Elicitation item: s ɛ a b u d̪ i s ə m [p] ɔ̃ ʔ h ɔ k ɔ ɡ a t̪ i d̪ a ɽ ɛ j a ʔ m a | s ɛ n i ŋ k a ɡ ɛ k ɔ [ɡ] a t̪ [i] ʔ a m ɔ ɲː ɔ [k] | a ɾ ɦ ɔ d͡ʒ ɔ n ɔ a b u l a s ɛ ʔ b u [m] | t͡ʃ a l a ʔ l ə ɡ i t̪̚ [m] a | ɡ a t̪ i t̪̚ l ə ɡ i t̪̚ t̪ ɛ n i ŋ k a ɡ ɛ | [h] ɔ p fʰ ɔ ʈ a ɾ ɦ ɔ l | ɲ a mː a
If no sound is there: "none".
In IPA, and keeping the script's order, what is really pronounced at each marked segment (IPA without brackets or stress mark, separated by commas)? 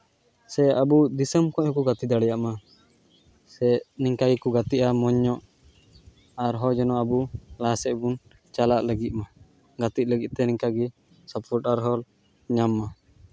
k, ɡ, i, ʔ, n, m, s